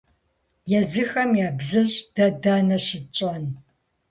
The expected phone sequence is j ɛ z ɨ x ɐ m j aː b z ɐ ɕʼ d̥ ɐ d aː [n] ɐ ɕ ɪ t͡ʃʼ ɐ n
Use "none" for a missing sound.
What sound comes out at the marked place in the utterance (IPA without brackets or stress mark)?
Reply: n